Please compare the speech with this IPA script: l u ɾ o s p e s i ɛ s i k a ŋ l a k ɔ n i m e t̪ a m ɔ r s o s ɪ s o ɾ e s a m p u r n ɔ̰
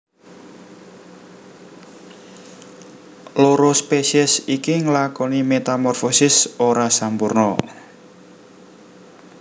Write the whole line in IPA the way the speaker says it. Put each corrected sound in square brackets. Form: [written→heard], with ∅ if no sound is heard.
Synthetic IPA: l [u→o] ɾ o s p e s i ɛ s i k [a→i] ŋ l a k ɔ n i m e t̪ a m ɔ r [s→f] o s ɪ s o ɾ [e→a] s a m p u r n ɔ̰